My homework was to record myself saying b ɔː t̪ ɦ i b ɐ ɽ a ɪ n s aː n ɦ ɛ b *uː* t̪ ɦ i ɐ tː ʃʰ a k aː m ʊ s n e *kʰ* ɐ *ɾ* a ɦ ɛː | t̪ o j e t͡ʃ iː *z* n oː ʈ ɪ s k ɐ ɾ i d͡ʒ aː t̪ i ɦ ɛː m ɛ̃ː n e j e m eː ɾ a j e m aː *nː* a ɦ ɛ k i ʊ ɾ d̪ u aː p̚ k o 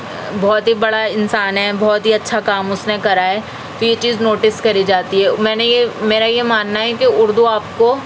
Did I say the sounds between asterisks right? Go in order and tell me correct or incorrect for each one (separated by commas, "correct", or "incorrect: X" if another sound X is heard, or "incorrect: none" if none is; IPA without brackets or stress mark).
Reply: incorrect: ɔː, incorrect: k, correct, correct, correct